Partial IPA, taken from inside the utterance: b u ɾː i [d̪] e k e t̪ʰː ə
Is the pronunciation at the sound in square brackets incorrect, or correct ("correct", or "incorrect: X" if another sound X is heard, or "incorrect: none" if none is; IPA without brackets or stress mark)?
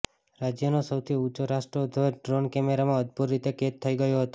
incorrect: t̪